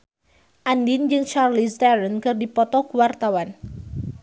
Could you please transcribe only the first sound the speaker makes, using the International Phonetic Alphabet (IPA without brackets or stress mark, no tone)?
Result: ʔ